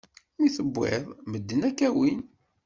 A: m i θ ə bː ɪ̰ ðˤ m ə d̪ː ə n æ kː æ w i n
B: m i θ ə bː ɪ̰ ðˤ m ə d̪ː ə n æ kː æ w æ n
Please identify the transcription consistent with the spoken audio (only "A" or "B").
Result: A